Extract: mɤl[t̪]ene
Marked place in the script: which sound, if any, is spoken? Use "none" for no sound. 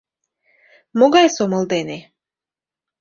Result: d̪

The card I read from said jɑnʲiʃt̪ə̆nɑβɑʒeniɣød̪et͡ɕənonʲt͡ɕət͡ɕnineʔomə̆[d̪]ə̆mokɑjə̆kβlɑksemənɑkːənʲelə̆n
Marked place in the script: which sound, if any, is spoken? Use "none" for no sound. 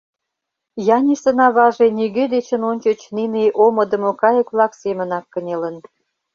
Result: d̪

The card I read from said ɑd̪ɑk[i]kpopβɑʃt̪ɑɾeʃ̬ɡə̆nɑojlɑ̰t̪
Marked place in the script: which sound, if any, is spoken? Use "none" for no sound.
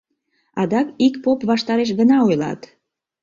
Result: i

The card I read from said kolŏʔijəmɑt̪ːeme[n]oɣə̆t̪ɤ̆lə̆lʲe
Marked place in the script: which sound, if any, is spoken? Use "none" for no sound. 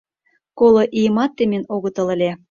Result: n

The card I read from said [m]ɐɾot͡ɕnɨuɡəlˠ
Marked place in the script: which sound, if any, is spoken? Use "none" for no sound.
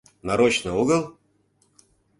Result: n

